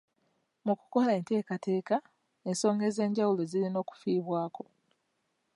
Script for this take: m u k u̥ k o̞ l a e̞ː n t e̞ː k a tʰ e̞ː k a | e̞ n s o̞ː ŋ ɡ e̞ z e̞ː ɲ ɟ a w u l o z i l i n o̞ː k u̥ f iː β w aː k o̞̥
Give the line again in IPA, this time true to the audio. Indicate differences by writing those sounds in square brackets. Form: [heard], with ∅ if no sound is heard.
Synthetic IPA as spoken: m u k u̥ k o̞ l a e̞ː n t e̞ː k a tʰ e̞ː k a | e̞ n s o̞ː ŋ ɡ e̞ z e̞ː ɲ ɟ a w u l o z i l i n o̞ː k u̥ f iː β w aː k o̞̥